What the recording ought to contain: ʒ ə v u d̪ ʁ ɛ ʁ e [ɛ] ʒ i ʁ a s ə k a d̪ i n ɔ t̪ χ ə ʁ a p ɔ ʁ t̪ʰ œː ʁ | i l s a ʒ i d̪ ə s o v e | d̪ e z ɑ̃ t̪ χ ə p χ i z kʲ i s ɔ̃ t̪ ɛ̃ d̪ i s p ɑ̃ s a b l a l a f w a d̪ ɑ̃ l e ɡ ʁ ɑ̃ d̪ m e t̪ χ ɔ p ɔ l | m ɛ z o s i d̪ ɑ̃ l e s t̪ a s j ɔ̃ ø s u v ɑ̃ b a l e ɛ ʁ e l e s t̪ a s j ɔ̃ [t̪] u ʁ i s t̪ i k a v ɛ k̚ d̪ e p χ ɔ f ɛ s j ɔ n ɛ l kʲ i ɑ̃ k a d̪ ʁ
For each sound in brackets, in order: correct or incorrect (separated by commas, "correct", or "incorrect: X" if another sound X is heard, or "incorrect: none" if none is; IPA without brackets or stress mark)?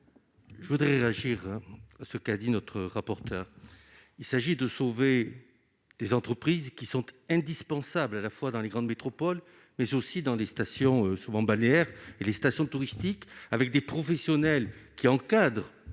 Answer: incorrect: a, correct